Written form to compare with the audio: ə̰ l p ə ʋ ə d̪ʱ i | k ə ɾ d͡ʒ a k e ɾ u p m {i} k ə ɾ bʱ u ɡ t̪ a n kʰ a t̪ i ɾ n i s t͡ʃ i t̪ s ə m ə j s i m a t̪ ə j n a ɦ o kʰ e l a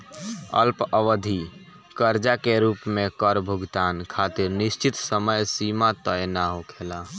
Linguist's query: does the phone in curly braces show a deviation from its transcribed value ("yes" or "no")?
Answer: yes